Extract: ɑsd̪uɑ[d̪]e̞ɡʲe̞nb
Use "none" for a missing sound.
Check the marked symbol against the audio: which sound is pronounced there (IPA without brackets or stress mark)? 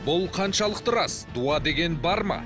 d̪